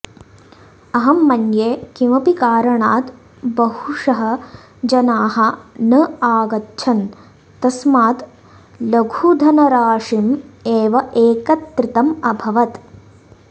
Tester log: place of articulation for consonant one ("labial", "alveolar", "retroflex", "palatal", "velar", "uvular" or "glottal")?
glottal